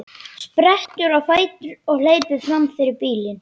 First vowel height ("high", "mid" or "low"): mid